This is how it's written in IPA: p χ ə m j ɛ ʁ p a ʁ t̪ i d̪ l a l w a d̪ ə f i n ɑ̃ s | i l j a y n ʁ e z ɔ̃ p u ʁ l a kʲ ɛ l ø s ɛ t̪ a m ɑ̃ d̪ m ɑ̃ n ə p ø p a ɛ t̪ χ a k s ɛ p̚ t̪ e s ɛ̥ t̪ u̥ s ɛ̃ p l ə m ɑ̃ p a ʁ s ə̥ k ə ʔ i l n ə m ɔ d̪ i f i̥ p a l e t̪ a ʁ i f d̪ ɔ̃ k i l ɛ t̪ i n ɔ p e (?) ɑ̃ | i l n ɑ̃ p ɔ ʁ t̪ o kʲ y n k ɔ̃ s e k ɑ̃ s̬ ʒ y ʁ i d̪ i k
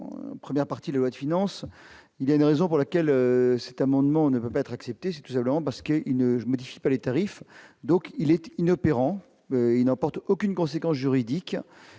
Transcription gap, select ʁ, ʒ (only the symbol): ʁ